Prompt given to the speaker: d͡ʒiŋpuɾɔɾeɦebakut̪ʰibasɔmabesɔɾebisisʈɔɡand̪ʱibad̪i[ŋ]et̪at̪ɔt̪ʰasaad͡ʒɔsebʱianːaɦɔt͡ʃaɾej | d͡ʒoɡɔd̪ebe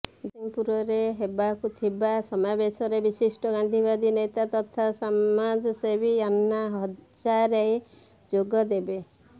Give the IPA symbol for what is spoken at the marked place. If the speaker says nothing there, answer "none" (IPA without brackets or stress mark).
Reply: n